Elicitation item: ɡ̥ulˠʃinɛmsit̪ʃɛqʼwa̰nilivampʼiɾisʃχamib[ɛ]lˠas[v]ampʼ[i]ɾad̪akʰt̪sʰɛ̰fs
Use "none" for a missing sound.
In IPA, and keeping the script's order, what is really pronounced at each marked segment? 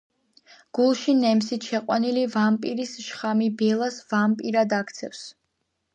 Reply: ɛ, v, i

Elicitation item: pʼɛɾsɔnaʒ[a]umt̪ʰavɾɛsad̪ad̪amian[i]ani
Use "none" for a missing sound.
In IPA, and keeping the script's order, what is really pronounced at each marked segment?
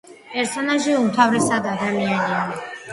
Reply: i, i

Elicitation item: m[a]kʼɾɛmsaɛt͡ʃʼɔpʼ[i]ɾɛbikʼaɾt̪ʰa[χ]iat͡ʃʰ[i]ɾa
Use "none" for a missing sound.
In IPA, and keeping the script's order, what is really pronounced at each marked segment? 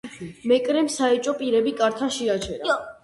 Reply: ɛ, i, ʃ, ɛ

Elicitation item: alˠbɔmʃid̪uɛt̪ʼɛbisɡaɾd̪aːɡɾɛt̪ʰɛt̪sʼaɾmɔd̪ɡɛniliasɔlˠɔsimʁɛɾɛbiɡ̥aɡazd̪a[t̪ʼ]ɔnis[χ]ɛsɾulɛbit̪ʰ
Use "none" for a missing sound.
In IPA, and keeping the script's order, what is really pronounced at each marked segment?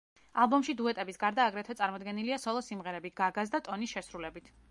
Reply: t̪ʼ, ʃ

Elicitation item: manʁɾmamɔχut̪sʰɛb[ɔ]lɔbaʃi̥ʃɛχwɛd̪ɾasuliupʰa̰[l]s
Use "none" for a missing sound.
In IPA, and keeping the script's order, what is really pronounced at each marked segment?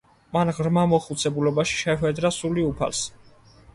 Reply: u, l

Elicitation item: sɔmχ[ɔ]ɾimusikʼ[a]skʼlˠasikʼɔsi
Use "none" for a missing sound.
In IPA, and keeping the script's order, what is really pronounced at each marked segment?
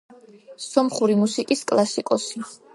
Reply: u, i

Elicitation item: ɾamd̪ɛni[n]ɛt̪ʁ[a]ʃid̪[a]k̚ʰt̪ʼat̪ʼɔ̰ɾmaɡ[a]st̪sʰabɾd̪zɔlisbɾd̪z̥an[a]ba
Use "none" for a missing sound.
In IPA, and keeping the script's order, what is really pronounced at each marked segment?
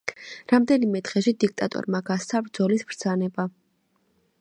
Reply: m, ɛ, i, a, ɛ

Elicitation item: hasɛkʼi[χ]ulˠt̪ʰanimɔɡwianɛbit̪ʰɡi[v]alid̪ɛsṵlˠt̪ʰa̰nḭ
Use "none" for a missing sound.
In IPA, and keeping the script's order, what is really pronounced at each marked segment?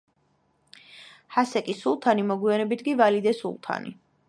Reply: s, v

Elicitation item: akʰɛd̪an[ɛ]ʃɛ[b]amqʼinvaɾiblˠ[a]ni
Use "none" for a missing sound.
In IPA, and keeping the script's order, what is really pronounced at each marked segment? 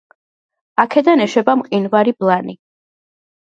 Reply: ɛ, b, a

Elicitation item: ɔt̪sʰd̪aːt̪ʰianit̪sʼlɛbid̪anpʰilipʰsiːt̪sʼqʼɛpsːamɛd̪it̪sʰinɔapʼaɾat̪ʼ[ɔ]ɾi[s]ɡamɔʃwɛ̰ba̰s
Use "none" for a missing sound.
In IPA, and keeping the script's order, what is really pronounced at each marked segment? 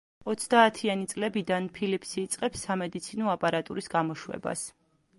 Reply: u, s

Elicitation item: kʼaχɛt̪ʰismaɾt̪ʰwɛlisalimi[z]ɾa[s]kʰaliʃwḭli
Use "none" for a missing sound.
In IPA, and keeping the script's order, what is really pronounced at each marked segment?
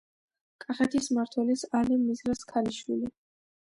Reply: z, s

